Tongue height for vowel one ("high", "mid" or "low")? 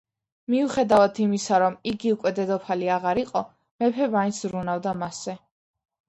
high